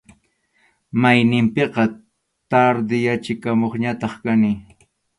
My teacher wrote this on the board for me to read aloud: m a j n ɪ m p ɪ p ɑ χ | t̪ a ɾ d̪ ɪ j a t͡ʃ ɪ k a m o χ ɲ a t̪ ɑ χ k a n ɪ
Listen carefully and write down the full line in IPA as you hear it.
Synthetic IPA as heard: m a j n ɪ m p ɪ q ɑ | t̪ a ɾ d̪ ɪ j a t͡ʃ ɪ k a m o χ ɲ a t̪ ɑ χ k a n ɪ